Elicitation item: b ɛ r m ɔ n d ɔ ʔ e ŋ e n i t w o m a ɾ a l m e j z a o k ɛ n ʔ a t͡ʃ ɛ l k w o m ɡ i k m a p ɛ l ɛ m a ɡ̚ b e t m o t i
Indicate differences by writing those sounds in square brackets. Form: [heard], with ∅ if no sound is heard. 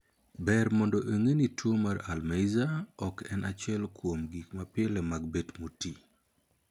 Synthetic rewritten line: b ɛ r m ɔ n d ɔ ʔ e ŋ e n i t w o m a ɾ a l m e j z a [ɔ] k ɛ n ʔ a t͡ʃ ɛ l k w o m ɡ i k m a p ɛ l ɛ m a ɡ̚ b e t m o t i